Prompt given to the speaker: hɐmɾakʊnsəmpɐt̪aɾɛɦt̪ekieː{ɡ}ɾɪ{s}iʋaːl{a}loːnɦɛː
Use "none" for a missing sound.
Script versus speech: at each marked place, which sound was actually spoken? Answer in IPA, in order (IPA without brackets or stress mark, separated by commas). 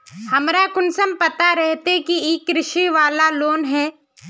k, ʃ, a